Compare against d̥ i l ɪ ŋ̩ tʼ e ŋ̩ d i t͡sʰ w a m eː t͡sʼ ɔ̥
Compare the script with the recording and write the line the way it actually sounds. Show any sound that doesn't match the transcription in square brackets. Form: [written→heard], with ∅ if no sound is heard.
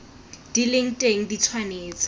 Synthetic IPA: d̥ i l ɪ ŋ̩ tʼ e ŋ̩ d i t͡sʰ w a [m→n] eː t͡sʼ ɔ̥